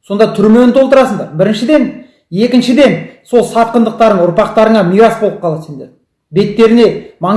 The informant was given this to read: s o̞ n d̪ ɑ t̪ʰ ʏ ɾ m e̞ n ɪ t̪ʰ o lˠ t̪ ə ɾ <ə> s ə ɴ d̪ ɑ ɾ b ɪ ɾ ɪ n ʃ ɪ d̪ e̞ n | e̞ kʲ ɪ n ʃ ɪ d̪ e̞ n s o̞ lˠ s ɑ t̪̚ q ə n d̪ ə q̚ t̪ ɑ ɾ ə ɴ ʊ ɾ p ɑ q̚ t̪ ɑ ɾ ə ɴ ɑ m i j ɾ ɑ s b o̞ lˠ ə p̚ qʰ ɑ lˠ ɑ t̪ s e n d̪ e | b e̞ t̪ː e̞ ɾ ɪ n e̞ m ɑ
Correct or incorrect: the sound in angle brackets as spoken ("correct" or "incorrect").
incorrect